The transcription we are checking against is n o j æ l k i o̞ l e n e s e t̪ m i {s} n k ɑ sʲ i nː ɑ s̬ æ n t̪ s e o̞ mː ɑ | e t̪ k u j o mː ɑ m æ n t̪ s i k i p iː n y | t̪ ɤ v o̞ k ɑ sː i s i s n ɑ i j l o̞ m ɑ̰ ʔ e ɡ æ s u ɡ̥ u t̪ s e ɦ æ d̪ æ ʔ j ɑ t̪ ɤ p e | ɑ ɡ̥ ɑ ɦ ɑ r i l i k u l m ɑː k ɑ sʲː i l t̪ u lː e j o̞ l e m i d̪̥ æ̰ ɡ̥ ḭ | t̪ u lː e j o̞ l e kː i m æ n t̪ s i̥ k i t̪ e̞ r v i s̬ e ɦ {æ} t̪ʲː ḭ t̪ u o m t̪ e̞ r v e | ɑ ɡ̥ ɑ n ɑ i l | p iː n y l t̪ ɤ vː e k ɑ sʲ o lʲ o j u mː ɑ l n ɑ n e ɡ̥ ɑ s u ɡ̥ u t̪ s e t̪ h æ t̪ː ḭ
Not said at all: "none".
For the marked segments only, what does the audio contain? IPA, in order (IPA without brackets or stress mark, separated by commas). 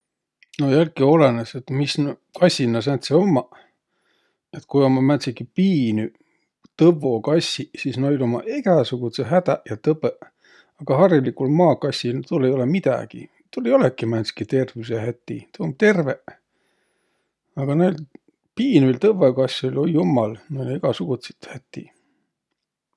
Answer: s, æ